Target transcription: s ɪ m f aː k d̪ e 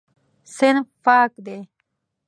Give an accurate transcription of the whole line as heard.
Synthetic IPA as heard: s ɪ n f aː k d̪ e